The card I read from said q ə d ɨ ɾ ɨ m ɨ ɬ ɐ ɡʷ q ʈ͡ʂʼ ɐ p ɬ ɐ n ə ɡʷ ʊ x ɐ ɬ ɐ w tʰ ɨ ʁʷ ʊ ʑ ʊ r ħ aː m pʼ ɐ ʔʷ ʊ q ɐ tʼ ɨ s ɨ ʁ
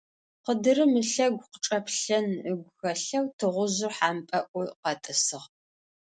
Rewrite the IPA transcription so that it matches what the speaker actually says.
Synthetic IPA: q ə d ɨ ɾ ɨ m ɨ ɬ ɐ ɡʷ q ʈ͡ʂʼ ɐ p ɬ ɐ n ə ɡʷ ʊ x ɐ ɬ ɐ w tʰ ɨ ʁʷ ʊ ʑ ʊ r ħ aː m pʼ ɐ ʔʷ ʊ q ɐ tʼ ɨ s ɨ ʁ